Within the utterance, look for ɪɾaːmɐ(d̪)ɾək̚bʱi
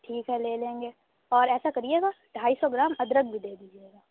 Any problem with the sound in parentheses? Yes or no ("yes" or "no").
no